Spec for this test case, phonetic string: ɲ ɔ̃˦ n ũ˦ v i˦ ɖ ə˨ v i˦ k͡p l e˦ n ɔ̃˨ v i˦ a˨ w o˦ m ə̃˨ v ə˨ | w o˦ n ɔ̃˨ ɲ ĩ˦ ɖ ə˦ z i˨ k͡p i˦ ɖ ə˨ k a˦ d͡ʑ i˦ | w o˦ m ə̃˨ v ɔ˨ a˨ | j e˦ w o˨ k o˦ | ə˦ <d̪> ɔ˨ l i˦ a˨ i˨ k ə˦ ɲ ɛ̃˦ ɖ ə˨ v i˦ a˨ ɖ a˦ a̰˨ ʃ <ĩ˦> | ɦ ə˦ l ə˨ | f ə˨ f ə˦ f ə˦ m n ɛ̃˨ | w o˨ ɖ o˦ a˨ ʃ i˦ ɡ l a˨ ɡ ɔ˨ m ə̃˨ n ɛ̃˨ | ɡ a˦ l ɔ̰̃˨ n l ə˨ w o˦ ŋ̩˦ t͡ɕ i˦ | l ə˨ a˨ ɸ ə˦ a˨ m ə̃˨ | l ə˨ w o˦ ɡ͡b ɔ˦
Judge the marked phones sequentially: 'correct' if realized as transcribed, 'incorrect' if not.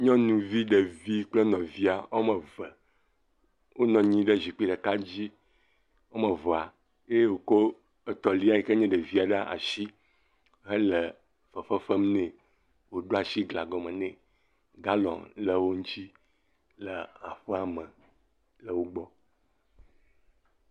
incorrect, incorrect

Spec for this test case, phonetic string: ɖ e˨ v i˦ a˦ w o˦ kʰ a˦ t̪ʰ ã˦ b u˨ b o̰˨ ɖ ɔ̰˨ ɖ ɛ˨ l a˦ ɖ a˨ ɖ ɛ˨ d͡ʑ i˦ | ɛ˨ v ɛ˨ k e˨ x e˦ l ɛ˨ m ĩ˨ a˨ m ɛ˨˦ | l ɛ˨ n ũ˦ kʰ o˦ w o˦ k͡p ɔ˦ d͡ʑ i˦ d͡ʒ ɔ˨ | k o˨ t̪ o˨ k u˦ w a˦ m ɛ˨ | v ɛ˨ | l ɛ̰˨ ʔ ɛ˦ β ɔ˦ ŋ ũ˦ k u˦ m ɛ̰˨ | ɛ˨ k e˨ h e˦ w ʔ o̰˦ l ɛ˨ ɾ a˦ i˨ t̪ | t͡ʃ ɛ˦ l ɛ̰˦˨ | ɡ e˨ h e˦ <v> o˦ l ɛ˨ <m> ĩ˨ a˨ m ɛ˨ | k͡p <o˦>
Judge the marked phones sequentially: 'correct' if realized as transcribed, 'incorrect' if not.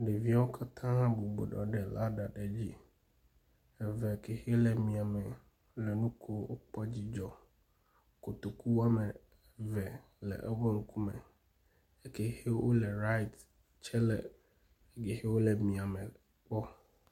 incorrect, correct, incorrect

